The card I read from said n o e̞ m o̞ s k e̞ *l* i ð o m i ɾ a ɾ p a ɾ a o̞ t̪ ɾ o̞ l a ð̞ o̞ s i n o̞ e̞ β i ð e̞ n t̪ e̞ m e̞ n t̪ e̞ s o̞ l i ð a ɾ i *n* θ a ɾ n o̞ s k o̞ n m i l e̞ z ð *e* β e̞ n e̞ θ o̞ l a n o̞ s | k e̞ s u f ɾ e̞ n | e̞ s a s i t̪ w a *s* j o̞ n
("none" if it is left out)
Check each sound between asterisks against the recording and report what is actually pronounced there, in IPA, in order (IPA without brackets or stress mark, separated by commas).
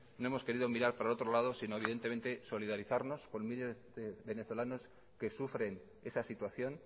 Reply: ɾ, none, e, θ